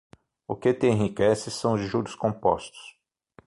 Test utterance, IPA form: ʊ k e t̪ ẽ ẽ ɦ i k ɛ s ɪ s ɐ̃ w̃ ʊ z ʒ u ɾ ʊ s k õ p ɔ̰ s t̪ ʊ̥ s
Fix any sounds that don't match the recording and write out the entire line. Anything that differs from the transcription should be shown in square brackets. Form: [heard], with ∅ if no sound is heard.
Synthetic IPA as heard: ʊ k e t̪ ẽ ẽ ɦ i k ɛ s ɪ s ɐ̃ w̃ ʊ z ʒ u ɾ ʊ s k õ p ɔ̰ s t̪ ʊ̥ s